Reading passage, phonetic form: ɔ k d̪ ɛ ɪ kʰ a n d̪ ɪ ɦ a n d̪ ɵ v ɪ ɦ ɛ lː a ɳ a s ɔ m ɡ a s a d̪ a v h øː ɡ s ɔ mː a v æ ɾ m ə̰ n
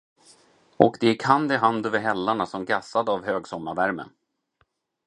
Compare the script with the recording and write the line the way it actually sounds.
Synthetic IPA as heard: ɔ k d̪ ɛ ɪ kʰ a n d̪ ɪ ɦ a n d̪ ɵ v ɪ ɦ ɛ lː a ɳ a s ɔ m ɡ a s a d̪ a v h øː ɡ s ɔ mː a v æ ɾ m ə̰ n

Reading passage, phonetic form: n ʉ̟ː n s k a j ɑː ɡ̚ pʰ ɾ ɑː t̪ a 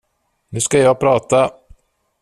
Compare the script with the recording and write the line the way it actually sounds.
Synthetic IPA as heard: n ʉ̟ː s k a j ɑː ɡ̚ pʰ ɾ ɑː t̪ a

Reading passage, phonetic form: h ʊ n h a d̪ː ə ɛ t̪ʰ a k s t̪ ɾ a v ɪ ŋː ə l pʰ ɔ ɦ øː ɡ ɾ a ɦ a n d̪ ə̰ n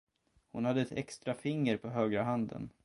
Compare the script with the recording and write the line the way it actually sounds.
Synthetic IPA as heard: h ʊ n h a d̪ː ə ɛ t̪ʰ ɛ k s t̪ ɾ a f ɪ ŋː ə ɾ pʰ ɔ ɦ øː ɡ ɾ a ɦ a n d̪ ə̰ n

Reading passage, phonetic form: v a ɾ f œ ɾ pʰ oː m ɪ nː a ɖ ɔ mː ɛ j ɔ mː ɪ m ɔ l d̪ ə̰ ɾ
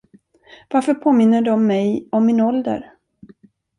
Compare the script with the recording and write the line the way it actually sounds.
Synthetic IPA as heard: v a ɾ f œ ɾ pʰ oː m ɪ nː ə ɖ ɔ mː ɛ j ɔ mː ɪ n ɔ l d̪ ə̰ ɾ

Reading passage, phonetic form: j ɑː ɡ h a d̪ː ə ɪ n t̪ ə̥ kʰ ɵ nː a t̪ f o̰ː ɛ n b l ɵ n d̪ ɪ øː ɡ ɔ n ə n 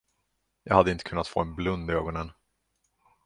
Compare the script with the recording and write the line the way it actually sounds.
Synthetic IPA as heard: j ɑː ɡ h a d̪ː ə ɪ n t̪ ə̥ kʰ ɵ nː a t̪ f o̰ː ɛ n b l ɵ n d̪ ɪ øː ɡ ɔ n ə n

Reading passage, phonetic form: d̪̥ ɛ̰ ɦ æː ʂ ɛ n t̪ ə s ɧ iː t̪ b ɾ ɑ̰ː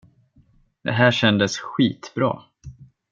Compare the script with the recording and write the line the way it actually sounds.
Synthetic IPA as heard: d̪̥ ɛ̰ ɦ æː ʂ ɛ n d̪ ə s ɧ iː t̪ b ɾ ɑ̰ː

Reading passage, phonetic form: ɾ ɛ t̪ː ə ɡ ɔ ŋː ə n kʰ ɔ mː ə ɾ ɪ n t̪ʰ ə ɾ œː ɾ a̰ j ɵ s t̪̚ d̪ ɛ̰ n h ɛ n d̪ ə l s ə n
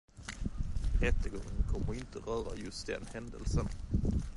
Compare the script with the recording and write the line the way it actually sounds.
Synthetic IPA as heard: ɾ ɛ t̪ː ə ɡ ɔ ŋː ə n kʰ ɔ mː ə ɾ ɪ n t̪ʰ ə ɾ œː ɾ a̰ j ɵ s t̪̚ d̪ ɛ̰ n h ɛ n d̪ ə l s ə n

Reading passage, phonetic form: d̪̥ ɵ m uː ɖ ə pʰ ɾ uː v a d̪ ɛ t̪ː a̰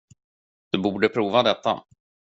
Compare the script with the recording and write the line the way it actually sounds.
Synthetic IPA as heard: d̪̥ ɵ b uː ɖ ə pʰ ɾ uː v a d̪ ɛ t̪ː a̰

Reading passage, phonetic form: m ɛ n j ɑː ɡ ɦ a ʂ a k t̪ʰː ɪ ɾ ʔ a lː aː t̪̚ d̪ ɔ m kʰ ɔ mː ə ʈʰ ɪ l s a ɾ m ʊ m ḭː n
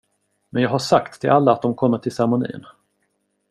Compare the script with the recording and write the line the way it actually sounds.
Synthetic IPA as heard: m ɛ n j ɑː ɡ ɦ a ʂ a k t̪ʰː ɪ l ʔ a lː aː t̪̚ d̪ ɔ m kʰ ɔ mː ə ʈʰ ɪ l s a ɾ m ʊ n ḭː n

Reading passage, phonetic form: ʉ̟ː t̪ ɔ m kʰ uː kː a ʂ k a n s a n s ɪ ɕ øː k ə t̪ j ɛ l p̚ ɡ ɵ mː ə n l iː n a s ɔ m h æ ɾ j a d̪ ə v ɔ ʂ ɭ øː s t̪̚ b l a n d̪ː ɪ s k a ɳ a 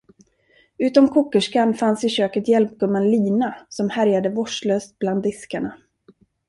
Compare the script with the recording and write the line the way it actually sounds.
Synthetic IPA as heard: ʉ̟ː t̪ ɔ m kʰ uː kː ə ʂ k a n f a n s ɪ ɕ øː k ə t̪ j ɛ l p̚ ɡ ɵ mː ə n l iː n a s ɔ m h æ ɾ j a d̪ ə v ɔ ʂ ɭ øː s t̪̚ b l a n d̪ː ɪ s k a ɳ a

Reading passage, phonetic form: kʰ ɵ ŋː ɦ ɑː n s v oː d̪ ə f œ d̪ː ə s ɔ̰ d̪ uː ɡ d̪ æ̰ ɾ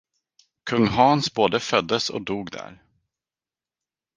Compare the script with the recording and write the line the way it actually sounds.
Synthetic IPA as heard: kʰ ɵ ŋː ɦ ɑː n s b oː d̪ ə f œ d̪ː ə s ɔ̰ d̪ uː ɡ d̪ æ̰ ɾ

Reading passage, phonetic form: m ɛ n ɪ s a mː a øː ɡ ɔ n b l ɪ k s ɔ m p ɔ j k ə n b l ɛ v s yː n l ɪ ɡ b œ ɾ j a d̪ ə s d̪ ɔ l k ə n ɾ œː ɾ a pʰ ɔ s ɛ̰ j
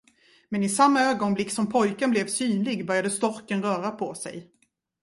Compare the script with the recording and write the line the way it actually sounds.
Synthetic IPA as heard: m ɛ n ɪ s a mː a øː ɡ ɔ n b l ɪ k s ɔ m pʰ ɔ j k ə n b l ɛ v s yː n l ɪ ɡ b œ ɾ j a d̪ ə s t̪ ɔ ɾ k ə n ɾ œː ɾ a pʰ ɔ s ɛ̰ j

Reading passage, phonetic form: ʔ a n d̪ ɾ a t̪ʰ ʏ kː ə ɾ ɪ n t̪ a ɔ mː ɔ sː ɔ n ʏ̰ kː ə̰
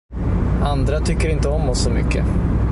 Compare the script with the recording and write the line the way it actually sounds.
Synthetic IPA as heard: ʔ a n d̪ ɾ a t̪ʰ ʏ kː ə ɾ ɪ n t̪ ə ɔ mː ɔ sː ɔ m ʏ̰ kː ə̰

